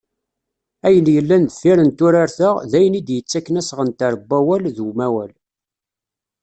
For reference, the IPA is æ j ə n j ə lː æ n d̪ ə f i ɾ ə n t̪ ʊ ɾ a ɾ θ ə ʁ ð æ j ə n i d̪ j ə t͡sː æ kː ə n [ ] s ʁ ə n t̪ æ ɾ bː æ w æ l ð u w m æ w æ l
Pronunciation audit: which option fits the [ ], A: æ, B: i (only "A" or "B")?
A